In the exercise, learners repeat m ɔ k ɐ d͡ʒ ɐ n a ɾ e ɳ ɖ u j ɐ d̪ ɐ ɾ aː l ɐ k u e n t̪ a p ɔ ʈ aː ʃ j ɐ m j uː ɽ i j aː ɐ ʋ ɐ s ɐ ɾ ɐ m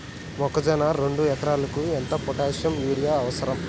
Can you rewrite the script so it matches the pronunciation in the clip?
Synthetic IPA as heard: m ɔ k ɐ d͡ʒ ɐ n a ɾ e ɳ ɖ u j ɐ t̪ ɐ ɾ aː l ɐ k u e n t̪ ɐ p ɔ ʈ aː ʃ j ɐ m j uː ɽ i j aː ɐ ʋ ɐ s ɐ ɾ ɐ m